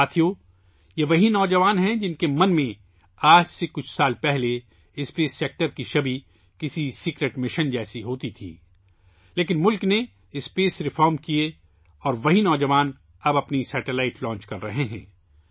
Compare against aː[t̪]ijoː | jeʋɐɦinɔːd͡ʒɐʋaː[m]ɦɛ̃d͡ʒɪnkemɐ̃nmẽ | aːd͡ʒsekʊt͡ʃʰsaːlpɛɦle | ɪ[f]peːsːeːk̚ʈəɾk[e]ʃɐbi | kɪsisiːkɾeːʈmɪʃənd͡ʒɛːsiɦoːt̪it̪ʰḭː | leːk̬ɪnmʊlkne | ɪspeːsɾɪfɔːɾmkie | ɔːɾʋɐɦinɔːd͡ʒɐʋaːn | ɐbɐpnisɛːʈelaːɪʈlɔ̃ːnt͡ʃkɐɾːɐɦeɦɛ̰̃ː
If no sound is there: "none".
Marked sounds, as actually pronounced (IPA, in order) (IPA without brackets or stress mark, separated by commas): t̪ʰ, n, s, i